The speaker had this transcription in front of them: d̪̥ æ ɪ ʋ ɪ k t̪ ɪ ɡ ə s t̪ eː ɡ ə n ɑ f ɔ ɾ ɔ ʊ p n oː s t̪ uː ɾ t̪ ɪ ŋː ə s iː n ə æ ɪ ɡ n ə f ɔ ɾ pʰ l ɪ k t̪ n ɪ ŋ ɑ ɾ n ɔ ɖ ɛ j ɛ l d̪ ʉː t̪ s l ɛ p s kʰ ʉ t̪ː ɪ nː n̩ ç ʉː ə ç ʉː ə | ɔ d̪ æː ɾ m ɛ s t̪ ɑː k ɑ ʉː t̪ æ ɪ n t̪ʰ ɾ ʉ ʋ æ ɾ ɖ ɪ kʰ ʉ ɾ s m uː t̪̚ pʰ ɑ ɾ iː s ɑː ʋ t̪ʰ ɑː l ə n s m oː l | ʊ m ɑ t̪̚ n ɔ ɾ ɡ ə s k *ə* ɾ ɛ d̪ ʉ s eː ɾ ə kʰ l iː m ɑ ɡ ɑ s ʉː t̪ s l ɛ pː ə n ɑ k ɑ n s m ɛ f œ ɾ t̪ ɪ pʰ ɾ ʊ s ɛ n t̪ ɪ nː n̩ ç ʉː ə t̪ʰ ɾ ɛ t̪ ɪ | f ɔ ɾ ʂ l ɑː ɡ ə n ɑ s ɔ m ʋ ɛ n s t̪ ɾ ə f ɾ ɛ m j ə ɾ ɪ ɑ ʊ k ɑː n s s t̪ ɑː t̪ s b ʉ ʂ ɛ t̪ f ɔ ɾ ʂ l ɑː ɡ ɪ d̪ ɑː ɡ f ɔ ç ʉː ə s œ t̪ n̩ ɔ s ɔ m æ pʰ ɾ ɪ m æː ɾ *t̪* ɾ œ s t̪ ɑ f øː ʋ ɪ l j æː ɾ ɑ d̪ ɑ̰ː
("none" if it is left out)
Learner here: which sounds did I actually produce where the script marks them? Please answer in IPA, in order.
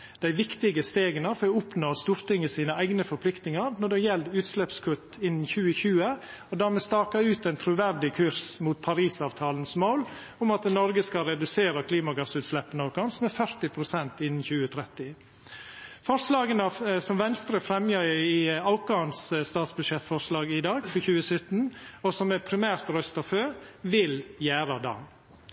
ɑ, t̪

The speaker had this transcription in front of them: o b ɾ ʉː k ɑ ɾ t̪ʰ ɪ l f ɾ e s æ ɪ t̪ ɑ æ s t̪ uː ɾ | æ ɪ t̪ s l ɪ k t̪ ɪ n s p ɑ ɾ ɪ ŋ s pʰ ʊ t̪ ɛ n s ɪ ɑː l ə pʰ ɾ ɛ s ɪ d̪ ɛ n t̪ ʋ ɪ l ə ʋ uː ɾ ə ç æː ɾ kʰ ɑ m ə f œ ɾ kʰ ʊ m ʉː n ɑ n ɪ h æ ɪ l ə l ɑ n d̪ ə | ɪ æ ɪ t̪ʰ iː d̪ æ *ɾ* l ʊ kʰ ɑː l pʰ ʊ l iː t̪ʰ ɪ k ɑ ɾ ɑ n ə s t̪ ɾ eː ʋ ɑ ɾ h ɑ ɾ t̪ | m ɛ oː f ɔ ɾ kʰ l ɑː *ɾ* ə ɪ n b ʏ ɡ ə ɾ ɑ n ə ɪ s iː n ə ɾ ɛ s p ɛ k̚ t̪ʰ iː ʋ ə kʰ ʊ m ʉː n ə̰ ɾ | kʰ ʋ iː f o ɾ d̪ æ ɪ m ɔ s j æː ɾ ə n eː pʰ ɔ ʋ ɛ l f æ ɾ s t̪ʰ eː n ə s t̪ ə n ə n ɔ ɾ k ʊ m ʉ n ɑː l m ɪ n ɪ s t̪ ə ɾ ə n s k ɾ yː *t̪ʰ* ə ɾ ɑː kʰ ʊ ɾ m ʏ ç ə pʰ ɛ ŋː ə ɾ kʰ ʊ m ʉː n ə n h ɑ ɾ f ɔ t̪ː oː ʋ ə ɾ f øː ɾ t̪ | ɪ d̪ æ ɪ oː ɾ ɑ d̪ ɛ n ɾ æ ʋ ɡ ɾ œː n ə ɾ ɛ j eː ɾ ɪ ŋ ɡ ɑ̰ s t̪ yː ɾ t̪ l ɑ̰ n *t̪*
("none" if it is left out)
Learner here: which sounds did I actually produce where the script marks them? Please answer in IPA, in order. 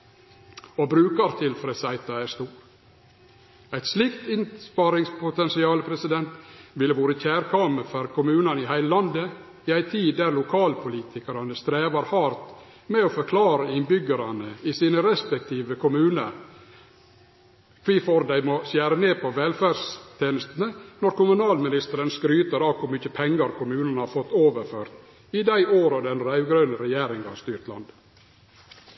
ɾ, ɾ, t̪, d̪

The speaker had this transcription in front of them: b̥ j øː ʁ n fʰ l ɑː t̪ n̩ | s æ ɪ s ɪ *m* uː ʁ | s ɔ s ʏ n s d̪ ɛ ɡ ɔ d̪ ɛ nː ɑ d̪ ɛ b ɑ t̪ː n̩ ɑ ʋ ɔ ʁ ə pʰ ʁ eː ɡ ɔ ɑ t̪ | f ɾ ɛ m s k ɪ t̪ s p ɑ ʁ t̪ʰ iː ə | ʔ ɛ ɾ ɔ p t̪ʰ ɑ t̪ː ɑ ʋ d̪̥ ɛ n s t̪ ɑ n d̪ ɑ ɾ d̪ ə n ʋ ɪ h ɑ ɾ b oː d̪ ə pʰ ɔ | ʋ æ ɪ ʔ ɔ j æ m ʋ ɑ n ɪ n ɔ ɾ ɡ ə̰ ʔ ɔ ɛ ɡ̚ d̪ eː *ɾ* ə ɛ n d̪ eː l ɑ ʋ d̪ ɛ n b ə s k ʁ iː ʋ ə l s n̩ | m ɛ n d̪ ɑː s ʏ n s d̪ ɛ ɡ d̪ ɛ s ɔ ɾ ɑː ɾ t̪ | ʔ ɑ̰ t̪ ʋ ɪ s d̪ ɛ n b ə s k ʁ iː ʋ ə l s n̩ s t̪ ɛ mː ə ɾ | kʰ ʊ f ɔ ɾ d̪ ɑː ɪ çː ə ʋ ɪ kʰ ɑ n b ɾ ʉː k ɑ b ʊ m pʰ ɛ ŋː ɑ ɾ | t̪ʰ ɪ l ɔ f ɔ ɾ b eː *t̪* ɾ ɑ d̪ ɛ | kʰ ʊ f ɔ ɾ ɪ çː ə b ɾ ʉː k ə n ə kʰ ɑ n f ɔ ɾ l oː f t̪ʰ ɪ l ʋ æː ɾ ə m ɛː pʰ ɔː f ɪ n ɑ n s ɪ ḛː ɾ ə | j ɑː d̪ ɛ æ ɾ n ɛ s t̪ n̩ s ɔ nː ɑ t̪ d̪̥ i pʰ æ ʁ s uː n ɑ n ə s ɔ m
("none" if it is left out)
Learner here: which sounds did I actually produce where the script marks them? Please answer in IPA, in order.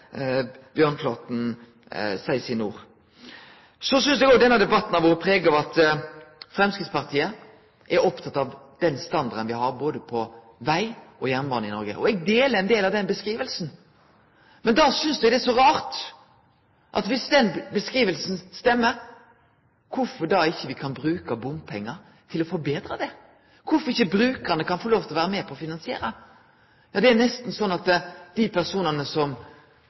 n, l, d̪

